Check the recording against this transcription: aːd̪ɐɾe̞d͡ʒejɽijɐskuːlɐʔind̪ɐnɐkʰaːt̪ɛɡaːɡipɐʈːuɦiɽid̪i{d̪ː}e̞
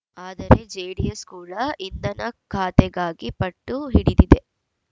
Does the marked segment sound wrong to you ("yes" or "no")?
yes